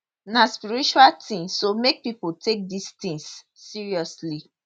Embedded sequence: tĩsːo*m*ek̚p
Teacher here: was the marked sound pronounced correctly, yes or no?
yes